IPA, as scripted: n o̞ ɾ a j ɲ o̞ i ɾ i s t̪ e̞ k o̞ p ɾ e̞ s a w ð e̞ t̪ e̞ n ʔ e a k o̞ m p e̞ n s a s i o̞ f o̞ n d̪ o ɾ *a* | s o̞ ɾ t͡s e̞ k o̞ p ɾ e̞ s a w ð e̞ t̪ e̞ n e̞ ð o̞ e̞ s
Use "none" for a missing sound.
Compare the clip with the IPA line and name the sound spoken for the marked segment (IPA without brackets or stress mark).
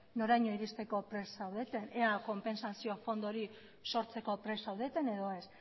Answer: i